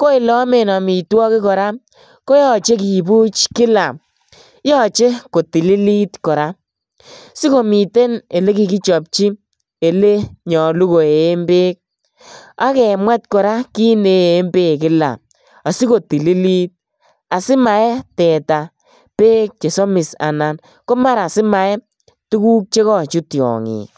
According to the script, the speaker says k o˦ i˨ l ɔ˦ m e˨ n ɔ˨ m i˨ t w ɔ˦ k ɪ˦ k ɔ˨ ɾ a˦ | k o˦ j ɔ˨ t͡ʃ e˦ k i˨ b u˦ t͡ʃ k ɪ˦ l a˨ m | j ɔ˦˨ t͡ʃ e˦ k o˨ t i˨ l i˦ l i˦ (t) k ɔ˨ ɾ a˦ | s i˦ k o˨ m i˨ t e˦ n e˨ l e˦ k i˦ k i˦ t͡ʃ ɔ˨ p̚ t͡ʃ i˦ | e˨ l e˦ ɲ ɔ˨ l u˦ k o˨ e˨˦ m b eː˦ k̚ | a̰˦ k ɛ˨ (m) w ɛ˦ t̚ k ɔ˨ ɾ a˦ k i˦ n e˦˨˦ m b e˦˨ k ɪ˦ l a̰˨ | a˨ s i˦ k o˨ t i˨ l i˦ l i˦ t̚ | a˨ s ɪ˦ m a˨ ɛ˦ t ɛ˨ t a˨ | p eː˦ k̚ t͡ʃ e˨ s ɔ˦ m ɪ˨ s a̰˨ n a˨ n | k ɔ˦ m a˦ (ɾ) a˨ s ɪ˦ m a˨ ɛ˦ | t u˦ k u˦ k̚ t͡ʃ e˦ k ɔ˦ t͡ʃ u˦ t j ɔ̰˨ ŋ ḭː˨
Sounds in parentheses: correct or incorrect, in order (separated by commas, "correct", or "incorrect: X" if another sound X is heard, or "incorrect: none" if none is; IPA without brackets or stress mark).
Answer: correct, correct, correct